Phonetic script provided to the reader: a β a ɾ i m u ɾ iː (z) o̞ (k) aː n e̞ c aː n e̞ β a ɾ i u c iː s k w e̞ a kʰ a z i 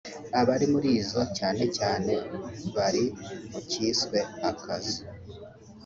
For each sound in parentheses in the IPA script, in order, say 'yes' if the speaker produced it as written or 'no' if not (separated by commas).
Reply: yes, no